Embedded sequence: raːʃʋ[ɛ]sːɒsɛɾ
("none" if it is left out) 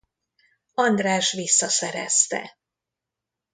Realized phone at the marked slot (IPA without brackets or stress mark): i